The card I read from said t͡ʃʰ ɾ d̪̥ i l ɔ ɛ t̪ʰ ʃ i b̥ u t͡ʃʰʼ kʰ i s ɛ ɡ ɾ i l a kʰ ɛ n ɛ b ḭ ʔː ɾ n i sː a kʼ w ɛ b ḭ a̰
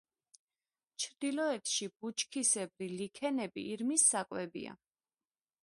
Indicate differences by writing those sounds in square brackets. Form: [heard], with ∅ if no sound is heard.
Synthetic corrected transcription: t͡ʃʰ ɾ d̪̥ i l ɔ ɛ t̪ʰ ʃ i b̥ u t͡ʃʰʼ kʰ i s ɛ [b] ɾ i l [i] kʰ ɛ n ɛ b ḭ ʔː ɾ [m] i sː a kʼ w ɛ b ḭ a̰

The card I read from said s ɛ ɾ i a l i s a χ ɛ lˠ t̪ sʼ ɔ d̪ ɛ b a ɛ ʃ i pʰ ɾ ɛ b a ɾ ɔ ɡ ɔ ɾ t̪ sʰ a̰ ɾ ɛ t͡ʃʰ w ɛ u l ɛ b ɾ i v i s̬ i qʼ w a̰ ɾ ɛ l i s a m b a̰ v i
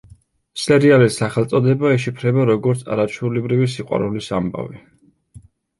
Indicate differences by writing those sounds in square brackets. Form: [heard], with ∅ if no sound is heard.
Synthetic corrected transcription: s ɛ ɾ i a l i s a χ ɛ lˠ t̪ sʼ ɔ d̪ ɛ b a ɛ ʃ i pʰ ɾ ɛ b a ɾ ɔ ɡ ɔ ɾ t̪ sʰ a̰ ɾ [a] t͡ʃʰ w ɛ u l ɛ b ɾ i v i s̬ i qʼ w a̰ ɾ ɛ l i s a m b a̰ v i

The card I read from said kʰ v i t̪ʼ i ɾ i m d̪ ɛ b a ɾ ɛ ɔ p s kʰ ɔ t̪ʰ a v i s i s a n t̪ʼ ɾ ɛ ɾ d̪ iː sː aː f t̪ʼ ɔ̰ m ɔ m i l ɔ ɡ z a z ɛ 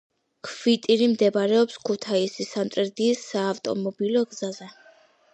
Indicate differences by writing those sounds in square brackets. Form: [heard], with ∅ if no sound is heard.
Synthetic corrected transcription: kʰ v i t̪ʼ i ɾ i m d̪ ɛ b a ɾ ɛ ɔ p s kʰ [u] t̪ʰ a [∅] i s i s a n t̪ʼ ɾ ɛ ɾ d̪ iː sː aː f t̪ʼ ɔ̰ m ɔ [b] i l ɔ ɡ z a z ɛ

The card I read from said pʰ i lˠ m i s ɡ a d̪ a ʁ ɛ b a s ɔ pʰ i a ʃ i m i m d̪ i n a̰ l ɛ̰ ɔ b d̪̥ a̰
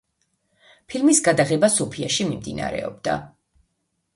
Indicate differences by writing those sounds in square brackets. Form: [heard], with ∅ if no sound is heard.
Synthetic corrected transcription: pʰ i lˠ m i s ɡ a d̪ a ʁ ɛ b a s ɔ pʰ i a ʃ i m i m d̪ i n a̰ [ɾ] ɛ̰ ɔ b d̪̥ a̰

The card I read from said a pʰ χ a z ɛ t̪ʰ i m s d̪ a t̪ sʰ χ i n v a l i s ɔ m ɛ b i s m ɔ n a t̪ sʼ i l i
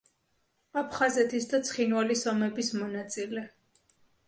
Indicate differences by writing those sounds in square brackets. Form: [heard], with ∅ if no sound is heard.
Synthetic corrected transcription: a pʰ χ a z ɛ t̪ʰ i [∅] s d̪ a t̪ sʰ χ i n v a l i s ɔ m ɛ b i s m ɔ n a t̪ sʼ i l [ɛ]

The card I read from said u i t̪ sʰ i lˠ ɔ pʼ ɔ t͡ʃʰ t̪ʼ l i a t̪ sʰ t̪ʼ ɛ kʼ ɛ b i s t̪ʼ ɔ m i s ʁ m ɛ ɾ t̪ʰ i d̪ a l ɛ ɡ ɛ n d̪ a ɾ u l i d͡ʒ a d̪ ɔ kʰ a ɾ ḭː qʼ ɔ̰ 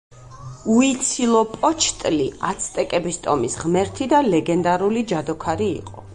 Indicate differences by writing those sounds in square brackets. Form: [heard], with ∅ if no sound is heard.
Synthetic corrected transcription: u i t̪ sʰ i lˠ ɔ pʼ ɔ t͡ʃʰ t̪ʼ l i a t̪ sʰ t̪ʼ ɛ kʼ ɛ b i s t̪ʼ ɔ m i s ʁ m ɛ ɾ t̪ʰ i d̪ a l ɛ ɡ ɛ n d̪ a ɾ u l i d͡ʒ a d̪ ɔ kʰ a ɾ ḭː qʼ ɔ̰

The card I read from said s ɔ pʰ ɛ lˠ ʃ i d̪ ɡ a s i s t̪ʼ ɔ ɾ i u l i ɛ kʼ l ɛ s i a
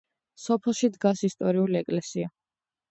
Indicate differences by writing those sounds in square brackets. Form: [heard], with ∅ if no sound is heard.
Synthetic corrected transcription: s ɔ pʰ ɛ lˠ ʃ i d̪ ɡ a s i s t̪ʼ ɔ ɾ i u l i ɛ kʼ l ɛ s i a

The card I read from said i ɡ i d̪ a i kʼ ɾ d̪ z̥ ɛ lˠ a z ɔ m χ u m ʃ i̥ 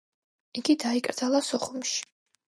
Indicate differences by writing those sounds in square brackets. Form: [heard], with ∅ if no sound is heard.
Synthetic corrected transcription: i ɡ i d̪ a i kʼ ɾ d̪ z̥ [a] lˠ a [s] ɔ [∅] χ u m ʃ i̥

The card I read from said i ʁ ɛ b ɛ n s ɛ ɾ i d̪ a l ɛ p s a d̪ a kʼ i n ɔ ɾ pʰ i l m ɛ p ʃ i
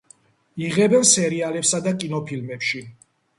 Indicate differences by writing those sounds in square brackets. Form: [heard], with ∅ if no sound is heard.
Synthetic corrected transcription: i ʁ ɛ b ɛ n s ɛ ɾ i [∅] a l ɛ p s a d̪ a kʼ i n ɔ [∅] pʰ i l m ɛ p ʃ i

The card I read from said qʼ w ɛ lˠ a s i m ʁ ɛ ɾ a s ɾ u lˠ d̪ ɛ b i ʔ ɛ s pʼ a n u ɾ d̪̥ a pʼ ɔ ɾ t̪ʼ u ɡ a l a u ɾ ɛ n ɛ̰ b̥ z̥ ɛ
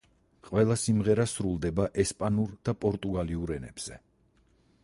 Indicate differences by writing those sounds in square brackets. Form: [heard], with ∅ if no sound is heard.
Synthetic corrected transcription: qʼ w ɛ lˠ a s i m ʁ ɛ ɾ a s ɾ u lˠ d̪ ɛ b [a] ʔ ɛ s pʼ a n u ɾ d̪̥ a pʼ ɔ ɾ t̪ʼ u ɡ a l [i] u ɾ ɛ n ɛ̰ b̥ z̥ ɛ

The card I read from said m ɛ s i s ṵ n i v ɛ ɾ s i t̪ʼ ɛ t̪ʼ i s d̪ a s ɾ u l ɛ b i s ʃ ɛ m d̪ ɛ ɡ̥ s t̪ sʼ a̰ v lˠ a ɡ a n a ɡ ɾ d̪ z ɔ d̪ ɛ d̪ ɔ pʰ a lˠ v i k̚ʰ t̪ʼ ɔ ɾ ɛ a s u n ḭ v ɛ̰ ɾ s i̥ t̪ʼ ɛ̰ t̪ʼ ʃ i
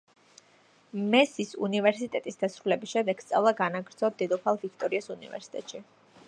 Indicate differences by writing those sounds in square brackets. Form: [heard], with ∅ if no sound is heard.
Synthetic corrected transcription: m ɛ s i s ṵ n i v ɛ ɾ s i t̪ʼ ɛ t̪ʼ i s d̪ a s ɾ u l ɛ b i s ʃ ɛ m d̪ ɛ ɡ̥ s t̪ sʼ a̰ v lˠ a ɡ a n a ɡ ɾ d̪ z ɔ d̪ ɛ d̪ ɔ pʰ a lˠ v i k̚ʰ t̪ʼ ɔ ɾ [i] a s u n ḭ v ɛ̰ ɾ s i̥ t̪ʼ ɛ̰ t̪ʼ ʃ i

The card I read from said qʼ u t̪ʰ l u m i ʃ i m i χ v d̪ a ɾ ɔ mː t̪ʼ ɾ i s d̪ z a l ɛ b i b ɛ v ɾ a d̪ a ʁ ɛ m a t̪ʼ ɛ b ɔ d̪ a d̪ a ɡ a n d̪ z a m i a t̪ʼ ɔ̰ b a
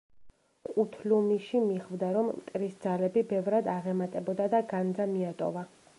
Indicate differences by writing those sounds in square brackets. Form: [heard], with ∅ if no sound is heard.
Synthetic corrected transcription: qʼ u t̪ʰ l u m i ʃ i m i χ v d̪ a ɾ ɔ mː t̪ʼ ɾ i s d̪ z a l ɛ b i b ɛ v ɾ a d̪ a ʁ ɛ m a t̪ʼ ɛ b ɔ d̪ a d̪ a ɡ a n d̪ z a m i a t̪ʼ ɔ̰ [v] a

